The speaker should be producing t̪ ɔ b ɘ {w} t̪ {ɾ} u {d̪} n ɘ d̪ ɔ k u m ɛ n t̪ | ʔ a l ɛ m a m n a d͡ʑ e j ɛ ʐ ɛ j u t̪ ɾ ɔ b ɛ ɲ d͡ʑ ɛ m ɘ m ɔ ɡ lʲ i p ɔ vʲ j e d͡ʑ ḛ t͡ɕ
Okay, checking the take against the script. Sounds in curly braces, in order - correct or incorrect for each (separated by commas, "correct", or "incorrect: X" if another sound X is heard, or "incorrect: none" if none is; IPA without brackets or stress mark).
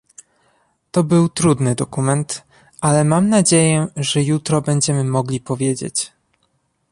correct, correct, correct